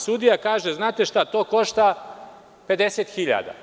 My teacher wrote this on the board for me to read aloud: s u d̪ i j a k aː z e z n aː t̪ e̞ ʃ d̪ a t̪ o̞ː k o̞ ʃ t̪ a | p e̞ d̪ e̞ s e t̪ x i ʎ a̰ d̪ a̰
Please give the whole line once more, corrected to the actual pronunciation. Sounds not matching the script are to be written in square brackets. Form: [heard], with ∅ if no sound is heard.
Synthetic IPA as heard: s u d̪ i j a k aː [ʒ] e z n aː t̪ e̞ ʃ [t̪] a t̪ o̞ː k o̞ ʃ t̪ a | p e̞ d̪ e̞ s e t̪ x i ʎ a̰ d̪ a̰